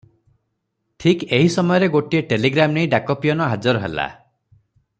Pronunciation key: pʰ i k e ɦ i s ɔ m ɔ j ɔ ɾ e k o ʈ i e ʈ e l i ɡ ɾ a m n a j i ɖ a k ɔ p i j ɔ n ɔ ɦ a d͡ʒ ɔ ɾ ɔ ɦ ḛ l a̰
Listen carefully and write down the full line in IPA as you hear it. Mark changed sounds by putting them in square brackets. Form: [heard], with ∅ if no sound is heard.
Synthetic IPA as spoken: [ʈʰ] i k e ɦ i s ɔ m ɔ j ɔ ɾ e [ɡ] o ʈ i e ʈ e l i ɡ ɾ a m n [e] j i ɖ a k ɔ p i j ɔ n ɔ ɦ a d͡ʒ ɔ ɾ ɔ ɦ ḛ l a̰